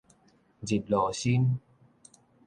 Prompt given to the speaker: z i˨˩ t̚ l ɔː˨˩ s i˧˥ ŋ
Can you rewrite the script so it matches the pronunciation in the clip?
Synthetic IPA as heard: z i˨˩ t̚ l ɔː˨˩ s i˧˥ n